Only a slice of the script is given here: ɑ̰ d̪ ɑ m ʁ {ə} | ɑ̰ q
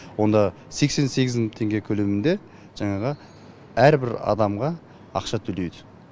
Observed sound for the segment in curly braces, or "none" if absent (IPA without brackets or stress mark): ɑ